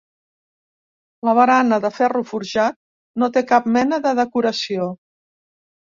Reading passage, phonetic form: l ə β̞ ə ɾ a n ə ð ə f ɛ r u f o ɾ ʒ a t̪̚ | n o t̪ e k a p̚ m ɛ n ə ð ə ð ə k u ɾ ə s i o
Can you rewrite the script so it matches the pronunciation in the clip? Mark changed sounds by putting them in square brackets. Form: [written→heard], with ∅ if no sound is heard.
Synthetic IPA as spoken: l ə β̞ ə ɾ a n ə ð ə f ɛ r u f [o→u] ɾ ʒ a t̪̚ | n o t̪ e k a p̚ m ɛ n ə ð ə ð ə k u ɾ ə s i o